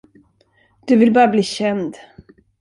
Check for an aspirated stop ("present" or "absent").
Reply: absent